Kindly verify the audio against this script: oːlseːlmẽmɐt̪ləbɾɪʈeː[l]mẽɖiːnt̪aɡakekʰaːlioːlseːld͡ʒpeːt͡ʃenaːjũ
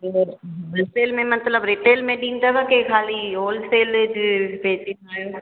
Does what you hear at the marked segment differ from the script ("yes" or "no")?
no